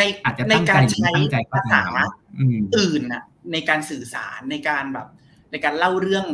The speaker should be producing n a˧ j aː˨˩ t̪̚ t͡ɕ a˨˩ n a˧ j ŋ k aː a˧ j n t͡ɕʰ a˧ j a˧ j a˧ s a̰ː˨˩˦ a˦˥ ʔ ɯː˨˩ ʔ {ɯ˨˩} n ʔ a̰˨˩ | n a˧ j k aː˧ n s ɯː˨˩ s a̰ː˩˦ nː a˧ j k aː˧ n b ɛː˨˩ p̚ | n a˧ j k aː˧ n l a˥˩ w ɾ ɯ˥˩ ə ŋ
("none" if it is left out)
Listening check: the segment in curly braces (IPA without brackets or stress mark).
ɯː˨˩